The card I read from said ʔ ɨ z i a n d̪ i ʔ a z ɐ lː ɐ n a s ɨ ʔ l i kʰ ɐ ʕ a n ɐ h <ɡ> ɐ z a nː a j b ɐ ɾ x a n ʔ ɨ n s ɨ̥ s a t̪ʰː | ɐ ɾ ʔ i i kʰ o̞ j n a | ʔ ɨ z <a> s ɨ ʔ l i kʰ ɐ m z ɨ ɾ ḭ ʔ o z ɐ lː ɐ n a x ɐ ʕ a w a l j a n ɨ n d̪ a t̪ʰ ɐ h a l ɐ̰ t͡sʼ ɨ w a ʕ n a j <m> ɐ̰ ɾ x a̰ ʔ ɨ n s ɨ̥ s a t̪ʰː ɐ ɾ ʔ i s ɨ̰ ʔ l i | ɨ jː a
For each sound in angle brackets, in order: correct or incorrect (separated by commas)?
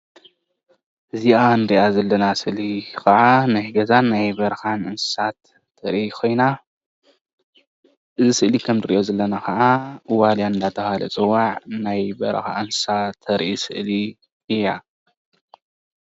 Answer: correct, incorrect, incorrect